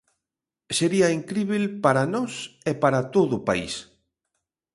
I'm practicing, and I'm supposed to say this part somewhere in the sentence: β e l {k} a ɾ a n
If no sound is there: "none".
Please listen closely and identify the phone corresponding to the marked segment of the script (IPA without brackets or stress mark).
p